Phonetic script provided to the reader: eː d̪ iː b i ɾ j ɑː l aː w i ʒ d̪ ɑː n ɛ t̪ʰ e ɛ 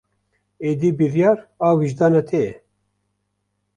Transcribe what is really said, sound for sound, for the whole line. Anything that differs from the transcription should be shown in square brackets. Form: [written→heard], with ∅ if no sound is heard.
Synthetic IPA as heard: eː d̪ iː b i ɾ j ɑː [l→ɾ] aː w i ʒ d̪ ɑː n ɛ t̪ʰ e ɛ